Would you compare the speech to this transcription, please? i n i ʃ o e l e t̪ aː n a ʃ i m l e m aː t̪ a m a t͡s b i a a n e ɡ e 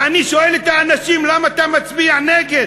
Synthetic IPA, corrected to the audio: a n i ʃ o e l e t̪ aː n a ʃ i m l a m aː t̪ a m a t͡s b i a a n e ɡ e